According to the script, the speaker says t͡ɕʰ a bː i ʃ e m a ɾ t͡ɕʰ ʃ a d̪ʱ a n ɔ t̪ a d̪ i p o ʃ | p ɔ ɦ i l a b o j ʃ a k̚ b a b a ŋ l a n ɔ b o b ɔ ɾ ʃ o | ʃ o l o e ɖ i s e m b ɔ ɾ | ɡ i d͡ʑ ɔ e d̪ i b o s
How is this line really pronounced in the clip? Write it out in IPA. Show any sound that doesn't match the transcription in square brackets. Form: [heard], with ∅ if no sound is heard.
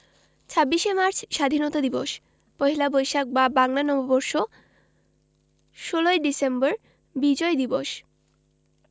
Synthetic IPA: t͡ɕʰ a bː i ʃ e m a ɾ t͡ɕʰ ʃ a d̪ʱ [i] n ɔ t̪ a d̪ i [b] o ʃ | p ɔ ɦ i l a b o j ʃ a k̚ b a b a ŋ l a n ɔ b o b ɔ ɾ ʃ o | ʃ o l o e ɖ i s e m b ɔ ɾ | [b] i d͡ʑ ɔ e d̪ i b o [ʃ]